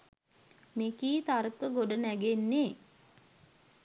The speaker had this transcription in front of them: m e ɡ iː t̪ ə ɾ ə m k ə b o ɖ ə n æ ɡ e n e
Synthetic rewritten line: m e k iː t̪ a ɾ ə k ə ɡ o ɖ ə n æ ɡ e nː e

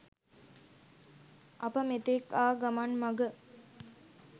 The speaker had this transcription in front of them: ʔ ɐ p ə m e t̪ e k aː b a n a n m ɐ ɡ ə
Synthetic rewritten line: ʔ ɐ p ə m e t̪ e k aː ɡ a m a n m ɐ ɡ ə

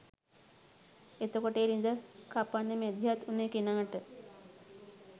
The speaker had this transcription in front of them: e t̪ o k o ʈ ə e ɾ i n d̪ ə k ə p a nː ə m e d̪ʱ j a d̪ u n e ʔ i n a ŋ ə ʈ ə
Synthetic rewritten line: e t̪ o k o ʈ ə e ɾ i n d̪ ə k a p a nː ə m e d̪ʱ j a t̪ u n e k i n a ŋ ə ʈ ə

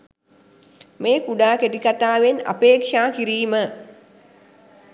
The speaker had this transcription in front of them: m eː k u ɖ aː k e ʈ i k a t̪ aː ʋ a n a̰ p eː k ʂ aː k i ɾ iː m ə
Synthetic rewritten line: m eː k u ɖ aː k e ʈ i k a t̪ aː ʋ e n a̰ p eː k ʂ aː k i ɾ iː m ə

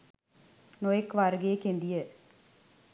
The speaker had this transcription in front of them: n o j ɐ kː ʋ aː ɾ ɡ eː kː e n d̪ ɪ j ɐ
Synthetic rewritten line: n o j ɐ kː ʋ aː ɾ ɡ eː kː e n d̪ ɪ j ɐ

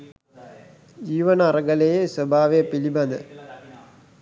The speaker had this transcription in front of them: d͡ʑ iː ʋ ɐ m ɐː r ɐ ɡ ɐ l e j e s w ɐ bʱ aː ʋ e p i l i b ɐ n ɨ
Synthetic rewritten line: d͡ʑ iː ʋ ɐ n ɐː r ɐ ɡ ɐ l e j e s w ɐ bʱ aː ʋ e p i l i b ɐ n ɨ

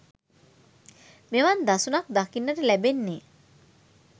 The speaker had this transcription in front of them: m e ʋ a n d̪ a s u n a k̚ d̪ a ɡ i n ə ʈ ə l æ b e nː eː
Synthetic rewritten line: m e ʋ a n d̪ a s u n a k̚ d̪ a k i nː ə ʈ ə l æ b e nː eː

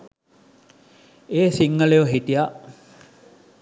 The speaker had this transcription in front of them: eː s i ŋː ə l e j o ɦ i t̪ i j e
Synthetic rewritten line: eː s i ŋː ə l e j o ɦ i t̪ i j a

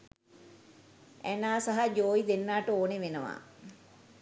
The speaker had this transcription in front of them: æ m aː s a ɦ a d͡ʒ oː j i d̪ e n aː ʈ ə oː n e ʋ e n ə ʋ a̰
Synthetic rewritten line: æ n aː s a ɦ a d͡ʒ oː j i d̪ e nː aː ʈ ə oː n e ʋ e n ə ʋ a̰

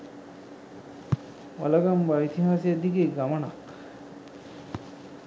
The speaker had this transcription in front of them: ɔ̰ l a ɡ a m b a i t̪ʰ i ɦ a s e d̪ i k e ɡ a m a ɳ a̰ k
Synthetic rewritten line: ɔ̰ l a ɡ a m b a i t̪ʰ i ɦ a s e d̪ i k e ɡ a m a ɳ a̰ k

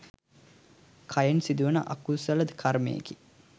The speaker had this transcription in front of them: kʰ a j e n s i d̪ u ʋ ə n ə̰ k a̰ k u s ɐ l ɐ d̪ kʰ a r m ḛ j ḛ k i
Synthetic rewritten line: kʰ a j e n s i d̪ u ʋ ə n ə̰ ʔ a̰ k u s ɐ l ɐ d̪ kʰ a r m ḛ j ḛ k i

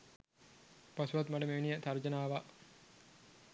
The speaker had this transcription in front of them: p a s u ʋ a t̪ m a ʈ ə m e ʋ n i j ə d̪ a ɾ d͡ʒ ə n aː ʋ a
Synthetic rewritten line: p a s u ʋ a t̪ m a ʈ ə m e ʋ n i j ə t̪ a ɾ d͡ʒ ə n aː ʋ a

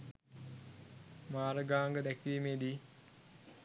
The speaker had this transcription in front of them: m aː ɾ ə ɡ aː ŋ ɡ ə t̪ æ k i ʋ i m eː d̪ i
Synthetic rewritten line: m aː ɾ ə ɡ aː ŋ ɡ ə d̪ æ k i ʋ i m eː d̪ i

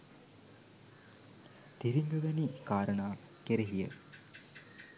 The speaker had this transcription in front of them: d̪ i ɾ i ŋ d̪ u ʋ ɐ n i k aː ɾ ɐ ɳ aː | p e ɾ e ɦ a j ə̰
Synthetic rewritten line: t̪ i ɾ i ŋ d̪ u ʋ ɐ n i k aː ɾ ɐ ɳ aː | k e ɾ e ɦ i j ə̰

